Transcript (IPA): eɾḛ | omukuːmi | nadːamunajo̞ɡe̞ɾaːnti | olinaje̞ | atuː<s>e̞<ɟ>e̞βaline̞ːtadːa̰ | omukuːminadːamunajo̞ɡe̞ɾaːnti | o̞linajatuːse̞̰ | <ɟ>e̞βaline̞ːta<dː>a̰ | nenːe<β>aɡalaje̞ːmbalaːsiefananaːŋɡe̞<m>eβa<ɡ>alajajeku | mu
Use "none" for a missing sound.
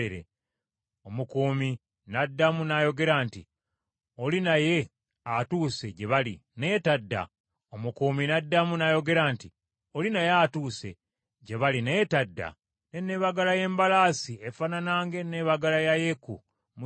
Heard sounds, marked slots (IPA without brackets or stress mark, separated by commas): s, ɟ, ɟ, dː, β, n, ɡ